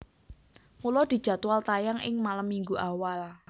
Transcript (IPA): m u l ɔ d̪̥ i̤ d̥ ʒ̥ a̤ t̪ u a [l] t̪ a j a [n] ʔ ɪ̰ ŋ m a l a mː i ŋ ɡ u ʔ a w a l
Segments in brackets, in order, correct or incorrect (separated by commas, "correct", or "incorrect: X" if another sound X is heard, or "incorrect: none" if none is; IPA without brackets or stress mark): correct, incorrect: ŋ